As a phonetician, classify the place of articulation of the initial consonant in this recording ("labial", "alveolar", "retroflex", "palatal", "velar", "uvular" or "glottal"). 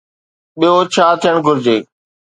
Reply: labial